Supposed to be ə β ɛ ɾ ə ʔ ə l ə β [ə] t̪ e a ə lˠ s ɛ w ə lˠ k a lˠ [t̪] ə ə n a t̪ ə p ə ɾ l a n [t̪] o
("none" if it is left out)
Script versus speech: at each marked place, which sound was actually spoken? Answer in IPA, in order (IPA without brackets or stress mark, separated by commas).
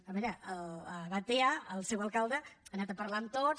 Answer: a, d̪, t̪